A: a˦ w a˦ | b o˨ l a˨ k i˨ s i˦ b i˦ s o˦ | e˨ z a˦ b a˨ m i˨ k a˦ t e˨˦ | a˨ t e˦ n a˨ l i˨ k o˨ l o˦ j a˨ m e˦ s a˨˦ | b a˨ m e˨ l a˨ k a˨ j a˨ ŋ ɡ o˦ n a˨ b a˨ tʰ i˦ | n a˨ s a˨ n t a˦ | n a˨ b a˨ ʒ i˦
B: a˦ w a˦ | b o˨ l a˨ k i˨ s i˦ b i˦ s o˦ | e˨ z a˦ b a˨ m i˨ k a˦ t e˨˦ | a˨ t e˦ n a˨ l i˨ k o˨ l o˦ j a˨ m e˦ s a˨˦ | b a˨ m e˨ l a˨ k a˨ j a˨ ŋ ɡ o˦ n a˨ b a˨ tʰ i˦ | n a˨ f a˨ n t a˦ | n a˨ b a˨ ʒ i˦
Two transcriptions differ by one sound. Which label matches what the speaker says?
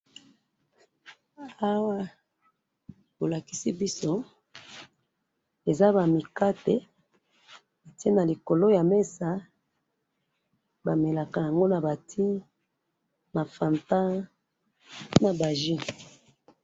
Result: B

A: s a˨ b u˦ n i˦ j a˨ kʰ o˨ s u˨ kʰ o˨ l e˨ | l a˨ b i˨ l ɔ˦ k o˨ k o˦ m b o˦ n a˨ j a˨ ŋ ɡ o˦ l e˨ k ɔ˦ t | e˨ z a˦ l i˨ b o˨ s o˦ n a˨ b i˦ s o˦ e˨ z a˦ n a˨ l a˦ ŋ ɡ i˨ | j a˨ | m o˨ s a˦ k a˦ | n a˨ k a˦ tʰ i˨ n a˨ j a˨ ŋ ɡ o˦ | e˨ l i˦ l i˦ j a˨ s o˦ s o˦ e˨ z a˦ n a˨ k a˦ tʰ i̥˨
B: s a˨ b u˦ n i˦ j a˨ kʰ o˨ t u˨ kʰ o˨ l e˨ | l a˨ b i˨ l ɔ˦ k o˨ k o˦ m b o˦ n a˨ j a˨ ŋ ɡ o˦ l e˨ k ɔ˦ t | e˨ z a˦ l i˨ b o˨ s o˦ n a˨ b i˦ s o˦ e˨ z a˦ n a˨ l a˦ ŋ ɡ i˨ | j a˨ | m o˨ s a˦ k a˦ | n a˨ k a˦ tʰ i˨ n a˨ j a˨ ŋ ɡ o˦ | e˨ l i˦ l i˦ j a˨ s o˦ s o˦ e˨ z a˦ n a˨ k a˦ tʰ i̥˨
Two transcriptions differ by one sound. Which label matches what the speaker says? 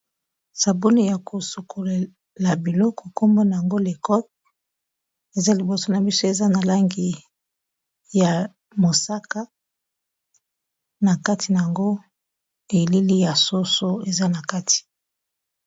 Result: A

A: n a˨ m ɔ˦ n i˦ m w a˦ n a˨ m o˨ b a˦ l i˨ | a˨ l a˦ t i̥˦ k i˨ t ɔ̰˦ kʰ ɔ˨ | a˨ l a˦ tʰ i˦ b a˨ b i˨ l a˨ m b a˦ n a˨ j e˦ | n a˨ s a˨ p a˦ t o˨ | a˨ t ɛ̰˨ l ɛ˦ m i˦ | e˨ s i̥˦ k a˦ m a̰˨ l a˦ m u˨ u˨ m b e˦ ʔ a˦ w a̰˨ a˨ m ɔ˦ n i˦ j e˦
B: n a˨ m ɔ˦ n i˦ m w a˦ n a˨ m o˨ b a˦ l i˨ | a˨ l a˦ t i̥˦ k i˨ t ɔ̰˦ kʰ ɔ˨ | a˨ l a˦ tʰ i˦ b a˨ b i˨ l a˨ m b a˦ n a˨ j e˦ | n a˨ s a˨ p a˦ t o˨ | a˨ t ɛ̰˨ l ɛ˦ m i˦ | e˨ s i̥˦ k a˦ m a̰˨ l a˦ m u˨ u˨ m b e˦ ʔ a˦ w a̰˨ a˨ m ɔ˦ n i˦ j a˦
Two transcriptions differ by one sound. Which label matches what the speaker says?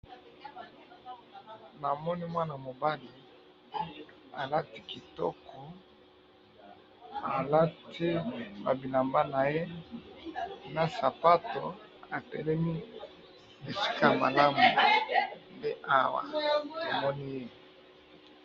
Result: A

